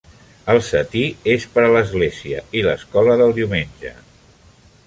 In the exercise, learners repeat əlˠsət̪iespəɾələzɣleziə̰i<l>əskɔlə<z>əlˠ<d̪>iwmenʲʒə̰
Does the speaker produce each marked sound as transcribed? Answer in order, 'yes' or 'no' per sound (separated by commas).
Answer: yes, no, yes